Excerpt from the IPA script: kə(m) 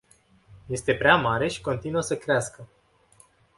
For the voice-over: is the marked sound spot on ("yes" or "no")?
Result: no